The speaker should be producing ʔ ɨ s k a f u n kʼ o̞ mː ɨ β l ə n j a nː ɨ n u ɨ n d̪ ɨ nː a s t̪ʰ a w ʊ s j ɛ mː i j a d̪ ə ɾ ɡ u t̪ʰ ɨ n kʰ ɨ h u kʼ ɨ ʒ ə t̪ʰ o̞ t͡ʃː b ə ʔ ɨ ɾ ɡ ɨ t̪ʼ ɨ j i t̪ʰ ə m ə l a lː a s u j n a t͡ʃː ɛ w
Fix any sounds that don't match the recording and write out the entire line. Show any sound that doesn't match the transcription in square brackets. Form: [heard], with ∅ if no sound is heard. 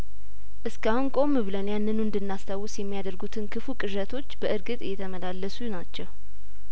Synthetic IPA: ʔ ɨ s k a [h] u n kʼ o̞ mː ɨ β l ə n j a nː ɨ n u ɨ n d̪ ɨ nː a s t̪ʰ a w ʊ s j ɛ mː i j a d̪ ə ɾ ɡ u t̪ʰ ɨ n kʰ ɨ [f] u kʼ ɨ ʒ ə t̪ʰ o̞ t͡ʃː b ə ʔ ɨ ɾ ɡ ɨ t̪ʼ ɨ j [ɛ] t̪ʰ ə m ə l a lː [ə] s u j n a t͡ʃː ɛ w

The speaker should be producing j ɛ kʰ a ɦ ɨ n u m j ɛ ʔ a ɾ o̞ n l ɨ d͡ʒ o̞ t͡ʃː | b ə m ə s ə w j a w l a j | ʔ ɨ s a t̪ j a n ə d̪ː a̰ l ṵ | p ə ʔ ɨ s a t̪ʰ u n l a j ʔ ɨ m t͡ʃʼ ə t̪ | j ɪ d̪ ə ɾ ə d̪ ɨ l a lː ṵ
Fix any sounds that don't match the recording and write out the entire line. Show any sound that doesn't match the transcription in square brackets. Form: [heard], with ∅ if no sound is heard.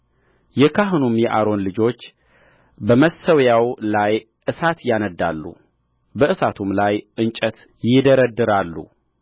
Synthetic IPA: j ɛ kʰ a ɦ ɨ n u m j ɛ ʔ a ɾ o̞ n l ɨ d͡ʒ o̞ t͡ʃː | b ə m ə s ə w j a w l a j | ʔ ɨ s a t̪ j a n ə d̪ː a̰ [lː] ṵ | [b] ə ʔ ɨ s a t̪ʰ u [m] l a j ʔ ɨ [n] t͡ʃʼ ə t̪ | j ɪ d̪ ə ɾ ə d̪ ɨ [ɾ] a lː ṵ

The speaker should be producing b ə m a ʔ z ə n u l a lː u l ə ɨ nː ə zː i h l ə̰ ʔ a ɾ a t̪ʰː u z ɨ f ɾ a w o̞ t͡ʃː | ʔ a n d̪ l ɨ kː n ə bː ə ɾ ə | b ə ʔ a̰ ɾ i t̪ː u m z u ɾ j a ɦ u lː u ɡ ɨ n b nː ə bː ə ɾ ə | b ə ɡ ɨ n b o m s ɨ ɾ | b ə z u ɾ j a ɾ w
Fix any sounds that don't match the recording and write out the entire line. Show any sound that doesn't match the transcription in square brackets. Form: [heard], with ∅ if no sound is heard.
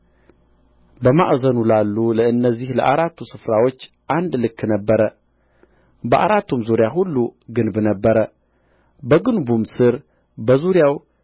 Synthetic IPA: b ə m a ʔ z ə n u l a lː u l ə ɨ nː ə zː i h l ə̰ ʔ a ɾ a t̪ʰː u [s] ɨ f ɾ a w o̞ t͡ʃː | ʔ a n d̪ l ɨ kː n ə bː ə ɾ ə | b ə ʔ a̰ ɾ [a] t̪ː u m z u ɾ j a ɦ u lː u ɡ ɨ n b [n] ə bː ə ɾ ə | b ə ɡ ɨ n b [u] m s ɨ ɾ | b ə z u ɾ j a [∅] w

